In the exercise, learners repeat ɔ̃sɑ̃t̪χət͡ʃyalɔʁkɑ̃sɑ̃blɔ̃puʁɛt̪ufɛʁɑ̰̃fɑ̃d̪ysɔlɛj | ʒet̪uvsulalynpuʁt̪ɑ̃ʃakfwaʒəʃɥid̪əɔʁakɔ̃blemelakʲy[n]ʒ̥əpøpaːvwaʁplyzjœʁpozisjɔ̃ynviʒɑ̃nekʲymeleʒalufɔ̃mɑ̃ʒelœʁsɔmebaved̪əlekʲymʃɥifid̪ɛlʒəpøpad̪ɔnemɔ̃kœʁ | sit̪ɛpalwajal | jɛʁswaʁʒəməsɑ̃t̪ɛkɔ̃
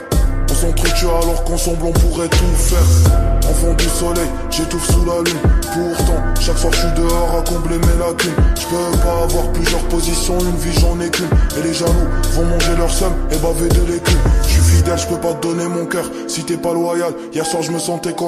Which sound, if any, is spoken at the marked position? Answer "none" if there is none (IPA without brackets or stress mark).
n